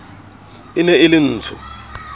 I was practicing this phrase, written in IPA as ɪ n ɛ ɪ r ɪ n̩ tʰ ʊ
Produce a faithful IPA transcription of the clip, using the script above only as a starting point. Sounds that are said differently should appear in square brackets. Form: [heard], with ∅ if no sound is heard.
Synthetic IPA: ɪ n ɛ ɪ [l] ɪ [n̩ː] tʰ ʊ